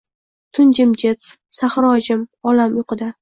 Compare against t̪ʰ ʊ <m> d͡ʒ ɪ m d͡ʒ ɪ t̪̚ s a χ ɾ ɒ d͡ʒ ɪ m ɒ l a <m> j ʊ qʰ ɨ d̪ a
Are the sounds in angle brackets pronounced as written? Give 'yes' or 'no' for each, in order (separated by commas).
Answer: no, yes